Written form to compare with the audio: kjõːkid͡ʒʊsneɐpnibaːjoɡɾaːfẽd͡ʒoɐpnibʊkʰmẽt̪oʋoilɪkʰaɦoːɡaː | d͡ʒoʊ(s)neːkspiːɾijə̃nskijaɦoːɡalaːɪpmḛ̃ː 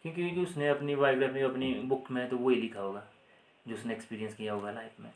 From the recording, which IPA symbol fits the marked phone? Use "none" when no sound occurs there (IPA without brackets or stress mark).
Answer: s